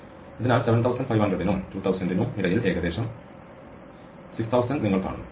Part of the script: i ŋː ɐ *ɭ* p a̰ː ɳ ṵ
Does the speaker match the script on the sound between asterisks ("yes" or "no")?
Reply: yes